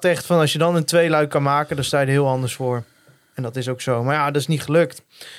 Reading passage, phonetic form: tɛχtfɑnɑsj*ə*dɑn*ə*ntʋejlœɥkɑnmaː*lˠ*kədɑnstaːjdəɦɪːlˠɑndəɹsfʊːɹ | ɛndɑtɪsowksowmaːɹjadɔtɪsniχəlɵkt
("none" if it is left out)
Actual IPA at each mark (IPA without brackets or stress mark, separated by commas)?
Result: ə, ə, none